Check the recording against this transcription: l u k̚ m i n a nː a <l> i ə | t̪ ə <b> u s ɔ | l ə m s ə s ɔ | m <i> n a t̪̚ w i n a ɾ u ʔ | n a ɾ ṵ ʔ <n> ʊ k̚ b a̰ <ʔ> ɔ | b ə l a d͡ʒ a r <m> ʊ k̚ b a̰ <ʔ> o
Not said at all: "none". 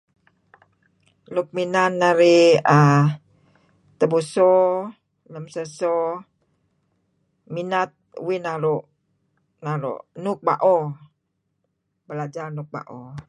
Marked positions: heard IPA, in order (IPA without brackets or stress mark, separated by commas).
ɾ, b, i, n, ʔ, n, ʔ